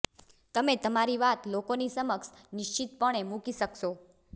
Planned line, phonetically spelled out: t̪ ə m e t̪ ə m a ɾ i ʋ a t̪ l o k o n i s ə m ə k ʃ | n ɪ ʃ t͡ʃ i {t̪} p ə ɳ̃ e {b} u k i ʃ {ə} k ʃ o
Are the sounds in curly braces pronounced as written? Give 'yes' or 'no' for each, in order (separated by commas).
yes, no, yes